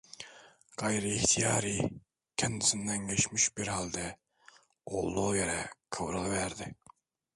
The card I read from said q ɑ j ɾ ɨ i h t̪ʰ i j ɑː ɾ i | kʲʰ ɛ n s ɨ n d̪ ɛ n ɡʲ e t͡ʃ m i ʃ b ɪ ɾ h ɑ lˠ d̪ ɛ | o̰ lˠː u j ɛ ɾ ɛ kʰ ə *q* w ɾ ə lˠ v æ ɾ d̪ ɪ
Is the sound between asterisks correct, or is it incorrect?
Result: incorrect